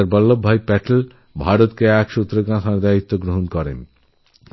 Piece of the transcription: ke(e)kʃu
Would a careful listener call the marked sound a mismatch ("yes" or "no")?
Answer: yes